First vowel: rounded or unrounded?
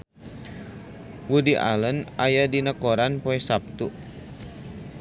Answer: rounded